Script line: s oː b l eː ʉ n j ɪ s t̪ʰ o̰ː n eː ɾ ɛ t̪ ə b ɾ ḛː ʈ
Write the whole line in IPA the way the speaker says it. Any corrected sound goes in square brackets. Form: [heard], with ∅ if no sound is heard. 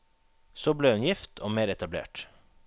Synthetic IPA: s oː b l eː ʉ n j ɪ [f] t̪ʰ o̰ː [m] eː ɾ ɛ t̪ [ɑ] b [l] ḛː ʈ